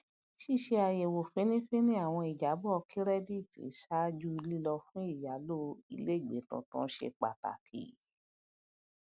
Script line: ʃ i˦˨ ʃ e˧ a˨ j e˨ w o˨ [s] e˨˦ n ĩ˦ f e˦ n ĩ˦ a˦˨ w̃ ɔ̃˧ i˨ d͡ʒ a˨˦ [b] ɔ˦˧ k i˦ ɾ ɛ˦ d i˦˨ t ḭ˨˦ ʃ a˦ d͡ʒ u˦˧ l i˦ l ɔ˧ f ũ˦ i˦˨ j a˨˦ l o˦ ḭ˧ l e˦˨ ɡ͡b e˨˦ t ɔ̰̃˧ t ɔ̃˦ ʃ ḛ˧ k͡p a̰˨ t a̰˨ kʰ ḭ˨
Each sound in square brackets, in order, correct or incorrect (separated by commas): incorrect, correct